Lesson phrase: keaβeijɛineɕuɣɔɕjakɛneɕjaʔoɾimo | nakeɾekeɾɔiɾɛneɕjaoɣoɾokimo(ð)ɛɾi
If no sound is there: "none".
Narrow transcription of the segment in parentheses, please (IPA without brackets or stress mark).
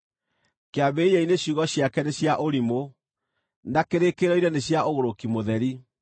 ð